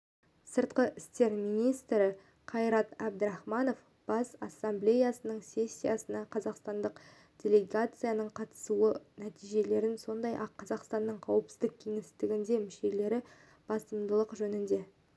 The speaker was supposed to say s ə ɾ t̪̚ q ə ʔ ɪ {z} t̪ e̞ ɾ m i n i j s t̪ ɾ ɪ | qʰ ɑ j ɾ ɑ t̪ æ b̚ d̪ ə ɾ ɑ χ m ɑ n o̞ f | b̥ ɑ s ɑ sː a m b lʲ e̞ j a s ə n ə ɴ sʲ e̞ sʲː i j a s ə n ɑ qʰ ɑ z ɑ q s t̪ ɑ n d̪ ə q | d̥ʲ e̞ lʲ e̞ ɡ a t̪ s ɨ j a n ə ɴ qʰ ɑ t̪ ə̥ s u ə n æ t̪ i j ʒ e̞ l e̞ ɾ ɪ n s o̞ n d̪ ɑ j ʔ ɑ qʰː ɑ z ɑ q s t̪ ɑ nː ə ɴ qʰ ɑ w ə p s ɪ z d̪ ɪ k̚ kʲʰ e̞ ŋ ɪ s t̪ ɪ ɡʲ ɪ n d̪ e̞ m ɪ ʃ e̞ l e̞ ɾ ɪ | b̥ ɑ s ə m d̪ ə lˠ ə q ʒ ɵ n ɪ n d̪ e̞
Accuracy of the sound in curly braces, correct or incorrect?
incorrect